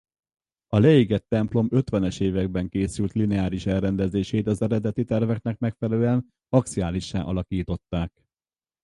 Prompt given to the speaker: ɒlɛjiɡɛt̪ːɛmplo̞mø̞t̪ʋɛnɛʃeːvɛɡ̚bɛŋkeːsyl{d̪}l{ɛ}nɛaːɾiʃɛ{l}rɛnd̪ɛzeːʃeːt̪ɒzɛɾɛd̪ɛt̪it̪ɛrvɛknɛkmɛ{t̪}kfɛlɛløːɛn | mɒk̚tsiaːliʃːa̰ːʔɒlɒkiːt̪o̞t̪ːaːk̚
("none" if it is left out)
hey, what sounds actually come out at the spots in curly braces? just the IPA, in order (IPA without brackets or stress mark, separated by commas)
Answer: t̪, i, l, none